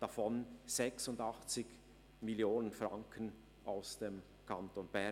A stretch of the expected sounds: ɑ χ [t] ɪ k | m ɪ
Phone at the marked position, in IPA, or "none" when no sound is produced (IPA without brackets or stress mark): t͡s